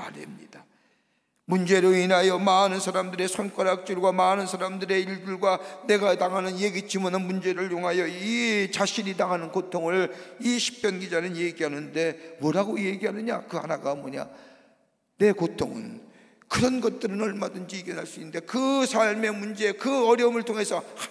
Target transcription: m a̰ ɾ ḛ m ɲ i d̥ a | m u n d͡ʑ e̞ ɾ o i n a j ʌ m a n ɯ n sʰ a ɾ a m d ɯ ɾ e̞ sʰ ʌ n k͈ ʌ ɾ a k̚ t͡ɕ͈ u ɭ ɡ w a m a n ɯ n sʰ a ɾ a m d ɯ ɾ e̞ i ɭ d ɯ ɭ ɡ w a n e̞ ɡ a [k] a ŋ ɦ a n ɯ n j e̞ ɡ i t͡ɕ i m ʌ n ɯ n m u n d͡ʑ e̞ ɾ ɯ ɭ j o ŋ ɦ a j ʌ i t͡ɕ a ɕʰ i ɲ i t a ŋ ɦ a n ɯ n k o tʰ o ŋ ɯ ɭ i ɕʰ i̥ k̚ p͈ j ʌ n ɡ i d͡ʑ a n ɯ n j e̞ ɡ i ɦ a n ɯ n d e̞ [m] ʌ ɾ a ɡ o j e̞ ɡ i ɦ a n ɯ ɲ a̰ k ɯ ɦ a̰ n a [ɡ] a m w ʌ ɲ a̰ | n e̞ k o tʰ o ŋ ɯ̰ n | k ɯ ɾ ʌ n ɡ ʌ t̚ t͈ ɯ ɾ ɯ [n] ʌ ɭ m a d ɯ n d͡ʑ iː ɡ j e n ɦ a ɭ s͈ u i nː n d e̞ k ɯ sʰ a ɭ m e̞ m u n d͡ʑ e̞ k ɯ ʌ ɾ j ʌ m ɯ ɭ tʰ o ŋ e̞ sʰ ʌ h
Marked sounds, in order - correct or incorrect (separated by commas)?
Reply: incorrect, correct, correct, correct